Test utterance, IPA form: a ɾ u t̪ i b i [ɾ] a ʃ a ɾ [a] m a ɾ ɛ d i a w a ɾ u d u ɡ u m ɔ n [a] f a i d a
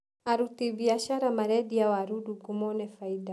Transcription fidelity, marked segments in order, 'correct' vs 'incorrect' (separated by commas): incorrect, correct, incorrect